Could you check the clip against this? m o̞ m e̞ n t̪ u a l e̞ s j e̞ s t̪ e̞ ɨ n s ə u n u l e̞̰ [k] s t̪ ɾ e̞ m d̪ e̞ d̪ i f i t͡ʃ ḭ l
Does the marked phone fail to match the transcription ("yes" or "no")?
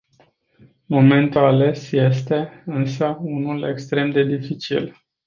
no